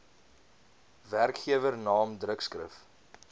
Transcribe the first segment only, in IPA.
v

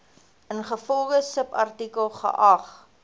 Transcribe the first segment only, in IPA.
ə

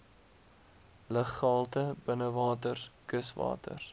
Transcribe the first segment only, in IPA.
l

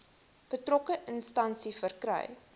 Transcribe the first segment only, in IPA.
b̥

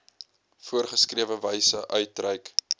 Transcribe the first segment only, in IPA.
f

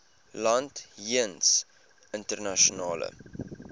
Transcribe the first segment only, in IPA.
l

